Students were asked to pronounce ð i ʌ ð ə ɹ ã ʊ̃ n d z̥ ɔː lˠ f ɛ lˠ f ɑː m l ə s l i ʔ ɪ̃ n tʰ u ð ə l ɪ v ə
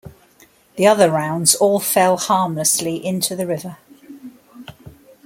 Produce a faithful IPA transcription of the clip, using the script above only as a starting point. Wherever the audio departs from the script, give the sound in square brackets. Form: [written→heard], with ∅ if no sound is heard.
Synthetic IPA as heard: ð i ʌ ð ə ɹ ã ʊ̃ n d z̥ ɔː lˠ f ɛ lˠ [f→h] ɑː m l ə s l i ʔ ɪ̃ n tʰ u ð ə [l→ɹ] ɪ v ə